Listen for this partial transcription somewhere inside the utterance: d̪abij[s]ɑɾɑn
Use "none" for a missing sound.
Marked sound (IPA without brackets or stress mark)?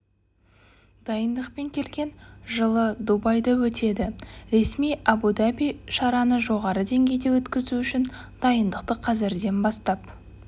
ʃ